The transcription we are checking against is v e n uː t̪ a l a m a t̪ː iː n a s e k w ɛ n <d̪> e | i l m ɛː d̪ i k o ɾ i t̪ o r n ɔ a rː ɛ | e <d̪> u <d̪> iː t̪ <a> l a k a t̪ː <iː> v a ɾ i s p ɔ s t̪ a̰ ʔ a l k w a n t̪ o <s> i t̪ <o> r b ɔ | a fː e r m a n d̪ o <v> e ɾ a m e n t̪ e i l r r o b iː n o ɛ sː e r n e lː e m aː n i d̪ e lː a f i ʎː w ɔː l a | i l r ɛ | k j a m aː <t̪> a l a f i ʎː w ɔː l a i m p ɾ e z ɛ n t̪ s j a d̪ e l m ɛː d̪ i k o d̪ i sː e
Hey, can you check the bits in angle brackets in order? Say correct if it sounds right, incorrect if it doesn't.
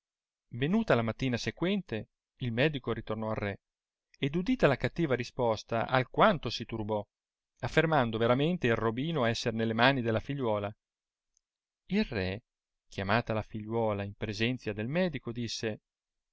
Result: incorrect: t̪, correct, correct, correct, correct, correct, incorrect: u, correct, correct

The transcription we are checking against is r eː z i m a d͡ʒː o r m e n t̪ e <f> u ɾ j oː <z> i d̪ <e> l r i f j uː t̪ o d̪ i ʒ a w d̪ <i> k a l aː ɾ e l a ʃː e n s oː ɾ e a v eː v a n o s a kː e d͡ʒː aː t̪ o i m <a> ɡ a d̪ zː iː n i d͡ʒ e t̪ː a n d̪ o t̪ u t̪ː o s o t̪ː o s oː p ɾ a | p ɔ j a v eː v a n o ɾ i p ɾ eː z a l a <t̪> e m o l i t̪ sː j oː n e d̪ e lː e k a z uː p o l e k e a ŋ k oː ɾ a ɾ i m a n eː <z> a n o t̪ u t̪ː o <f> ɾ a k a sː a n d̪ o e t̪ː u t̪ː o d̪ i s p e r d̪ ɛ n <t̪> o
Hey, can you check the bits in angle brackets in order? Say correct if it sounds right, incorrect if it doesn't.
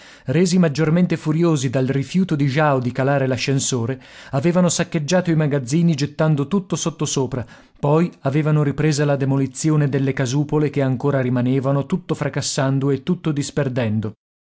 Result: correct, correct, incorrect: a, correct, correct, incorrect: d̪, incorrect: v, correct, incorrect: d̪

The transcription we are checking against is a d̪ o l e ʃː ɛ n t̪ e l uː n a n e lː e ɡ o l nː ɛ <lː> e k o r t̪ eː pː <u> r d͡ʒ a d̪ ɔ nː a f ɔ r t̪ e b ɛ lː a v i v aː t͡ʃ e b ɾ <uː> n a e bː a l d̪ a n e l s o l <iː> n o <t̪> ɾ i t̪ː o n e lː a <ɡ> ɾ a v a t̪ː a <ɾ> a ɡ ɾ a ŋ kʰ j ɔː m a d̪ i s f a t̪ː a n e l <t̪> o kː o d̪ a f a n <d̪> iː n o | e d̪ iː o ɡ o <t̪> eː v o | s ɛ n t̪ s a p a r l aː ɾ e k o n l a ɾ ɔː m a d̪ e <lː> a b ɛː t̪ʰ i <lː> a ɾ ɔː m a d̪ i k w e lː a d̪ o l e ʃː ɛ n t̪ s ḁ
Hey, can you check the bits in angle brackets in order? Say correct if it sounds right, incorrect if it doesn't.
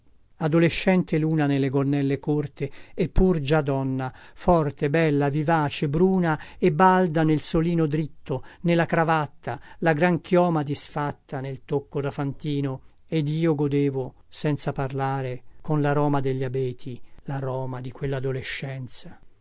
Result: correct, correct, correct, correct, incorrect: d̪, incorrect: k, incorrect: l, correct, incorrect: t̪, incorrect: d̪, incorrect: ʎː, incorrect: l

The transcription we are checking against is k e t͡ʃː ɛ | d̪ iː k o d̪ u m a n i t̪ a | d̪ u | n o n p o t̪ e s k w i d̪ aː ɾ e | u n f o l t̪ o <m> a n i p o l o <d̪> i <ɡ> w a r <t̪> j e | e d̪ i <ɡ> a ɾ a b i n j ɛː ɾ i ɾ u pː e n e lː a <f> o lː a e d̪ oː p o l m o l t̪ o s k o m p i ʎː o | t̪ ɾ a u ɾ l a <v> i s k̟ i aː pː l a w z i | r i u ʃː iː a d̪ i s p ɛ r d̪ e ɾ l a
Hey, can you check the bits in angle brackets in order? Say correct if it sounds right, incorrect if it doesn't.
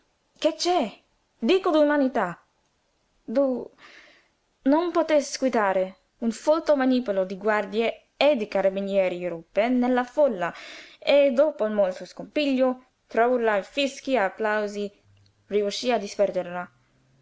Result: correct, correct, correct, incorrect: d̪, incorrect: k, correct, incorrect: f

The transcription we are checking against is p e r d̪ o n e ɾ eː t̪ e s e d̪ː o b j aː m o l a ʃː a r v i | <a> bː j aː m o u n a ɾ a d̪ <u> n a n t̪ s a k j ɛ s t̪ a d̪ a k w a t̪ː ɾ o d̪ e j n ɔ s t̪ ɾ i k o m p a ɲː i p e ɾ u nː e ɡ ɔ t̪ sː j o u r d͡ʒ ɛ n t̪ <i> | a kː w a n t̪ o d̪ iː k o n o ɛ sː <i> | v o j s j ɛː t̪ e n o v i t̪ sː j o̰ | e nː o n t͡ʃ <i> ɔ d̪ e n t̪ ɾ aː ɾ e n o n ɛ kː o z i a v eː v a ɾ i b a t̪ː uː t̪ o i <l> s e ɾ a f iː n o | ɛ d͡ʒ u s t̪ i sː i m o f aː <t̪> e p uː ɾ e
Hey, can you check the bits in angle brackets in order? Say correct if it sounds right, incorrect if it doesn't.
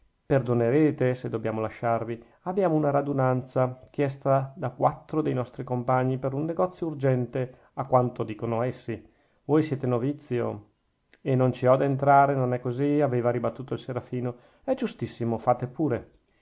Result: correct, correct, incorrect: e, correct, correct, correct, correct

